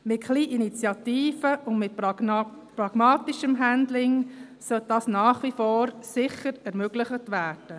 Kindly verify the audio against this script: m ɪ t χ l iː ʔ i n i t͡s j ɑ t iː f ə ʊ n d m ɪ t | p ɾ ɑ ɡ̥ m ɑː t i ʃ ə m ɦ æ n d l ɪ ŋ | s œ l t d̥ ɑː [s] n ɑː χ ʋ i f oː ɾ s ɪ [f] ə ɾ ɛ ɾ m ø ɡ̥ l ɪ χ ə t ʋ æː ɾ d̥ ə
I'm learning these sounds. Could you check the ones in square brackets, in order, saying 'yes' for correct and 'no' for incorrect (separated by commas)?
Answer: yes, no